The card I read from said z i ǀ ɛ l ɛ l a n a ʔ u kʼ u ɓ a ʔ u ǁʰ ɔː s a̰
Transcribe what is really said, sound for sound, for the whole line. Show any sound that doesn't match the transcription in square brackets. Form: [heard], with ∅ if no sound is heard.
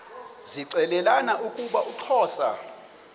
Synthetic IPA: z i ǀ ɛ l ɛ l a n a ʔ u kʼ u ɓ a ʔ u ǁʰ ɔː s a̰